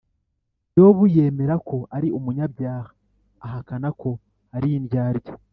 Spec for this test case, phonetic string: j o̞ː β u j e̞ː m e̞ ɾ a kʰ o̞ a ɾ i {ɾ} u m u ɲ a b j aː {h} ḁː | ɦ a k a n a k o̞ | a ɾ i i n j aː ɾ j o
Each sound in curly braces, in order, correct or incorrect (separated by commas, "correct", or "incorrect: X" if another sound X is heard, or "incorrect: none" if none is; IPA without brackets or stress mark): incorrect: none, correct